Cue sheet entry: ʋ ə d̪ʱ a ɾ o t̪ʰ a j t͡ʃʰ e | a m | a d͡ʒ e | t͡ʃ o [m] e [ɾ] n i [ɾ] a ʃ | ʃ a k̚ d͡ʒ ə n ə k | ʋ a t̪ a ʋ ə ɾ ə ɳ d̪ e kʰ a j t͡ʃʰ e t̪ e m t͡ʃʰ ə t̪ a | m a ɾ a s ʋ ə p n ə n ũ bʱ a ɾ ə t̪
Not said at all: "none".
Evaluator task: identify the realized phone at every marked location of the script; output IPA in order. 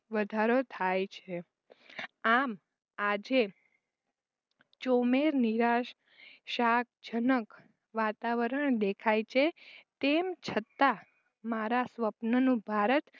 m, ɾ, ɾ

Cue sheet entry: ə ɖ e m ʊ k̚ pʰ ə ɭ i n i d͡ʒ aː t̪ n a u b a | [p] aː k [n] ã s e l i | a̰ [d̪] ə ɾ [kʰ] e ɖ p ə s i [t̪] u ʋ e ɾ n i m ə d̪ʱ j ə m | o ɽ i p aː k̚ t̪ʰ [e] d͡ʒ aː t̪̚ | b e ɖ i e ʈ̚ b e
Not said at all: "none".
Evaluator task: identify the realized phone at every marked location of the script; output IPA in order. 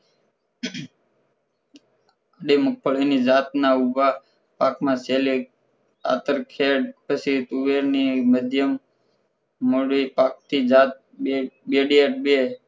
p, m, t̪, kʰ, t̪, i

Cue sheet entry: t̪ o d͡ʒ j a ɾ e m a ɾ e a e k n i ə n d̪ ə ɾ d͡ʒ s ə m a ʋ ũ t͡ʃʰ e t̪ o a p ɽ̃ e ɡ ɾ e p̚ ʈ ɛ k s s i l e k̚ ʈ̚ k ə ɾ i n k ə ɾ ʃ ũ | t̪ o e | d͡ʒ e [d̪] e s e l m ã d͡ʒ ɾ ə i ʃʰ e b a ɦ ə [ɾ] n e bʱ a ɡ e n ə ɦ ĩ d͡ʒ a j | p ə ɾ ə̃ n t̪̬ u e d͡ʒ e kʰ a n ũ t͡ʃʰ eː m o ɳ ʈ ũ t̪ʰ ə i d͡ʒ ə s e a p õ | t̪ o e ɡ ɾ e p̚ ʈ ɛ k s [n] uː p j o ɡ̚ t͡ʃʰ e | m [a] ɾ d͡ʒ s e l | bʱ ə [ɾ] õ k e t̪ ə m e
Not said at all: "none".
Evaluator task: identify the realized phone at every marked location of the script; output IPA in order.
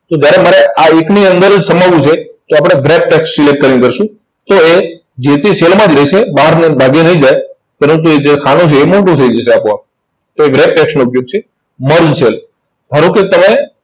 t̪, ɾ, n, ə, ɾ

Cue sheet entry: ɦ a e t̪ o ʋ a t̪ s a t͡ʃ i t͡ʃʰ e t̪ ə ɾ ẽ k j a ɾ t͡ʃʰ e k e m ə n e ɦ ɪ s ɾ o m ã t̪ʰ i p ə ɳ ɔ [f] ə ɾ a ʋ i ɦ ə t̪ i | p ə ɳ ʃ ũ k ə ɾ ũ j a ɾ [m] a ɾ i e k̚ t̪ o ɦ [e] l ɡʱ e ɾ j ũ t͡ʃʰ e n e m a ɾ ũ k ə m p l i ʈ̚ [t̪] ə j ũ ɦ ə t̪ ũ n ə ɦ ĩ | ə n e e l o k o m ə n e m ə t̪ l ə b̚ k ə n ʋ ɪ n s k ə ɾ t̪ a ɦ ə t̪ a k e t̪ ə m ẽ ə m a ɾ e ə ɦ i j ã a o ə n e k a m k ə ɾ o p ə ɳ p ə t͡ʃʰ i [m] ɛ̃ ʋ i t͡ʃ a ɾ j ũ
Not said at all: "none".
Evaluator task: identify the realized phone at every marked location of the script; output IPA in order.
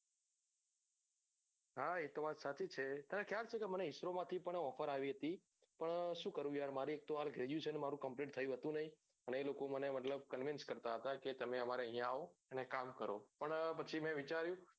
f, m, a, t̪ʰ, m

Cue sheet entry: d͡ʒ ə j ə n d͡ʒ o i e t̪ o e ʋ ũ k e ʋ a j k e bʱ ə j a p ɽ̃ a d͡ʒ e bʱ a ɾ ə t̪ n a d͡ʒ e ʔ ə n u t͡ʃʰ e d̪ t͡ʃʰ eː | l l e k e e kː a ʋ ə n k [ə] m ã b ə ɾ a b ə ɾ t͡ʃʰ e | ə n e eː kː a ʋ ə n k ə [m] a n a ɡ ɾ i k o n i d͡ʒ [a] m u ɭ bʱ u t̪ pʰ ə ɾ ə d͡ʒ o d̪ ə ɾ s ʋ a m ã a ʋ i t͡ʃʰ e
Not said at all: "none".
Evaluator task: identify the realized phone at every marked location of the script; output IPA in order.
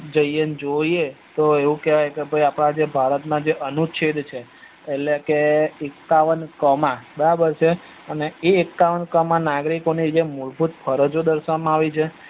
ə, m, e

